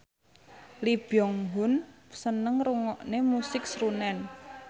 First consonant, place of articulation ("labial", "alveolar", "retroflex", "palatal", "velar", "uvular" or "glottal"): alveolar